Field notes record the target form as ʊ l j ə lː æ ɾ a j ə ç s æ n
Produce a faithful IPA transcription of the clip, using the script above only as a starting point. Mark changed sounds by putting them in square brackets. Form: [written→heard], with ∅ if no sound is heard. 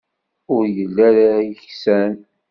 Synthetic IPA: ʊ [l→ɾ] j ə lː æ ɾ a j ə ç s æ n